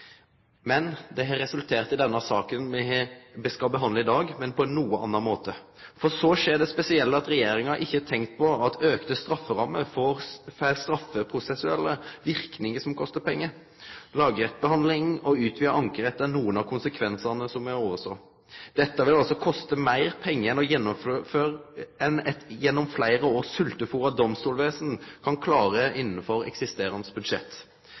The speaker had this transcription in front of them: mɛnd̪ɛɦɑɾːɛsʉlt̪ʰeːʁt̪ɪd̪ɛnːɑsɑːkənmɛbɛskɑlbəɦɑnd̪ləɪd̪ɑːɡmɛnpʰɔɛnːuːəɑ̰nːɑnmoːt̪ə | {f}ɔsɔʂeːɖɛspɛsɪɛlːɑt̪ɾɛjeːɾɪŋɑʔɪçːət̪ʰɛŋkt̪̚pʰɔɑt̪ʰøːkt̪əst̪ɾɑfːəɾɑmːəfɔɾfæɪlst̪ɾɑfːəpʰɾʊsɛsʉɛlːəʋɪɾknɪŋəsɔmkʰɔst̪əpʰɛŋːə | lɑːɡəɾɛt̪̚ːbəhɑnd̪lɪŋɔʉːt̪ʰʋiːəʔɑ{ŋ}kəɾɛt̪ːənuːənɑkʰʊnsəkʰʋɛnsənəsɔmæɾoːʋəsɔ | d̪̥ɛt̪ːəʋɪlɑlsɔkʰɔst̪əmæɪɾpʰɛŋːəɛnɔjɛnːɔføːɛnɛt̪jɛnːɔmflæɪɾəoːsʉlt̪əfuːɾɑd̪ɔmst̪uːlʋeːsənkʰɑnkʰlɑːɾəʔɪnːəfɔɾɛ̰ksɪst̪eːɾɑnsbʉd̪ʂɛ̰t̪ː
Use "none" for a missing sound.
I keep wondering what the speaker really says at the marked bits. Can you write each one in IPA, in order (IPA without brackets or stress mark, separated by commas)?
f, ŋ